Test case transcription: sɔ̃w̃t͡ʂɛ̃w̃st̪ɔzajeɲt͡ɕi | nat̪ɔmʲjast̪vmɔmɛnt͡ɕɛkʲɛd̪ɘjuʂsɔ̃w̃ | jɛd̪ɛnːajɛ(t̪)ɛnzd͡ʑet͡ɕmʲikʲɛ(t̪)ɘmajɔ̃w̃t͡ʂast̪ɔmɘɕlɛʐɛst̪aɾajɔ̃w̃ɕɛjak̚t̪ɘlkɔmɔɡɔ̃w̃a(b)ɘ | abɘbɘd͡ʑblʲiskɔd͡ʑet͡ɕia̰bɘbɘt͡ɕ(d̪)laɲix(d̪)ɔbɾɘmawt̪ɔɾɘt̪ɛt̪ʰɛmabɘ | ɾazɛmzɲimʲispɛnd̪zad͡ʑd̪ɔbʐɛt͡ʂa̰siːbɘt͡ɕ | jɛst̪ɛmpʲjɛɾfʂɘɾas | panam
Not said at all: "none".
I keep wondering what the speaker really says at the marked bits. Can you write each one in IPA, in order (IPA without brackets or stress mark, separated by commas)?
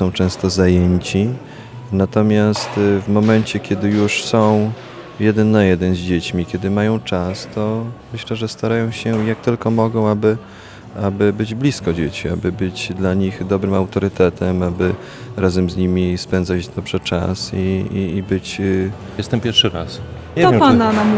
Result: d̪, d̪, b, d̪, d̪